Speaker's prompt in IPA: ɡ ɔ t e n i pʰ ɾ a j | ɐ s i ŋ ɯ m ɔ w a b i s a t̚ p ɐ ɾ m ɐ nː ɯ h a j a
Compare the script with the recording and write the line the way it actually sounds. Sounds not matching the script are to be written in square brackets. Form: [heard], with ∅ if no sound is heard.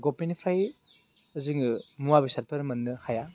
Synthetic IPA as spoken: ɡ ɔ [p] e n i pʰ ɾ a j | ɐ [z] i ŋ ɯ m [u] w a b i s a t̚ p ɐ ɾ m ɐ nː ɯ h a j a